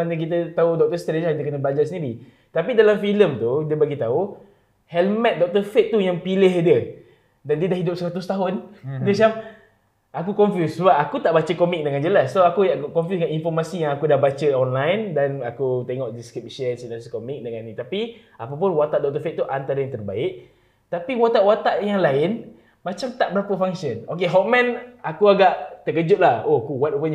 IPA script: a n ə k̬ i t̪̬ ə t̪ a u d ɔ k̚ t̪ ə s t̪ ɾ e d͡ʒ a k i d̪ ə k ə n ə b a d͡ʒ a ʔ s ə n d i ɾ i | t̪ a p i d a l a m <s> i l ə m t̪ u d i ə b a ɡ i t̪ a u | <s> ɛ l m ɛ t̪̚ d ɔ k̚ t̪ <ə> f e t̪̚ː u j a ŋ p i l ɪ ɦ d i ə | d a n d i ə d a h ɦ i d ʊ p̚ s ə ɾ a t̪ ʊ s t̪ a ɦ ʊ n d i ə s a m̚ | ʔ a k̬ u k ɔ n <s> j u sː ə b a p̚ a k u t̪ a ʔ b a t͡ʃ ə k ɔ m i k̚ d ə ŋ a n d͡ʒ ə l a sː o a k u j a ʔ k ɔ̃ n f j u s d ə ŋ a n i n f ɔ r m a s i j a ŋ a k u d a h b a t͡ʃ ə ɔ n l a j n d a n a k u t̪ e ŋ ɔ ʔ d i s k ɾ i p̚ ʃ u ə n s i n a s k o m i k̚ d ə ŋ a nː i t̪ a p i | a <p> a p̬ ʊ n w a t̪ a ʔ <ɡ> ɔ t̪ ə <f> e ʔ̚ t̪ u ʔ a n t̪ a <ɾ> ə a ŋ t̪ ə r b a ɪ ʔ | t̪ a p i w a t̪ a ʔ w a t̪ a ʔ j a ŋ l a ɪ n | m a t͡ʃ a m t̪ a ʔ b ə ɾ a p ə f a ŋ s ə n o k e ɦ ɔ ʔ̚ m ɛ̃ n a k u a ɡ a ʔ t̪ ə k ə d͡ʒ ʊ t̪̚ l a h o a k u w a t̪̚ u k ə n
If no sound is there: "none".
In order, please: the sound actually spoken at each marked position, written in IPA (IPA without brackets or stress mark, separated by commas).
f, h, ə, f, p, d, f, ɾ